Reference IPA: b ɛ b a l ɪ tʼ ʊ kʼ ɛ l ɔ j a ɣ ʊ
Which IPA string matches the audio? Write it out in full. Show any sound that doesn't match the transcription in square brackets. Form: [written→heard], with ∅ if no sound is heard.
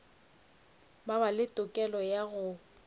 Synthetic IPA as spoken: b [ɛ→a] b a l ɪ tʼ ʊ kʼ ɛ l ɔ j a ɣ ʊ